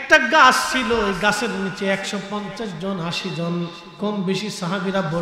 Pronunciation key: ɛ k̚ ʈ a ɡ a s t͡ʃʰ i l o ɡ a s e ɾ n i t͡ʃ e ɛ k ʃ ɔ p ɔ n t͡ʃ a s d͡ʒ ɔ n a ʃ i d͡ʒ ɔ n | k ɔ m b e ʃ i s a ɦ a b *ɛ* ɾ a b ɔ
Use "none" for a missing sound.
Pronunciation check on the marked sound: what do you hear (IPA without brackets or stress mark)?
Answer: i